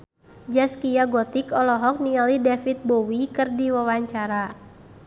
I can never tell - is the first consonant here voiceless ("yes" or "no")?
no